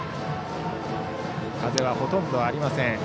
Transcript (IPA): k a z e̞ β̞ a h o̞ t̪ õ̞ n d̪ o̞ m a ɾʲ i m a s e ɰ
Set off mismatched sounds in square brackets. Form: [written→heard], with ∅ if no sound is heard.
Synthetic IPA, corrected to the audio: k a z e̞ β̞ a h o̞ t̪ õ̞ n d̪ o̞ [m→∅] a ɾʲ i m a s [e→ẽ] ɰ